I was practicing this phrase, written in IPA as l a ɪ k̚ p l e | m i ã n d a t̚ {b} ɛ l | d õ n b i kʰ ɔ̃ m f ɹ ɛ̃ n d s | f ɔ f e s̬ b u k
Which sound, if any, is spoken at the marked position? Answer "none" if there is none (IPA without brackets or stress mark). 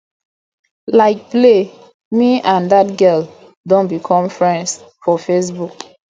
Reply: ɡ